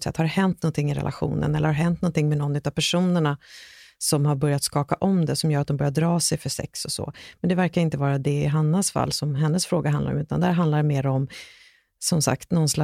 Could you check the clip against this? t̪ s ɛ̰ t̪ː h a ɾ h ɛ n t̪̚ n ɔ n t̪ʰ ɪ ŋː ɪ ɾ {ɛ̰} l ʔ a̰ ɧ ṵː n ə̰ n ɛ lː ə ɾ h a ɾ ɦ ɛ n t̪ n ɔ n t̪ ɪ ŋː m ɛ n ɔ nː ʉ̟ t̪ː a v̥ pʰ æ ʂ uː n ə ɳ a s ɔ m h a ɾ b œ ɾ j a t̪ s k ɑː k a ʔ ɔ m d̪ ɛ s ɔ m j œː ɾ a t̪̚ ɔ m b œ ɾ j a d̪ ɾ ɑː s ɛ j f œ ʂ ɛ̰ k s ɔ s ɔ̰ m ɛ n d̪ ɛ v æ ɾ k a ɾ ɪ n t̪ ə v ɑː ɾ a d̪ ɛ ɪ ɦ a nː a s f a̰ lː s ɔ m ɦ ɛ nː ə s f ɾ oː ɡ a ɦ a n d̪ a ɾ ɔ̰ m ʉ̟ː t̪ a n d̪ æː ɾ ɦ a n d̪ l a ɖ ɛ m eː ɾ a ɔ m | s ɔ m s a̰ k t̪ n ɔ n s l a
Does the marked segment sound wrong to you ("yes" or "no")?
no